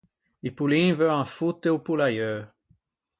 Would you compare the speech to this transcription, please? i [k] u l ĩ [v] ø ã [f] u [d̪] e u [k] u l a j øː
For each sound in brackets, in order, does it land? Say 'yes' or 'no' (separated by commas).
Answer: no, yes, yes, no, no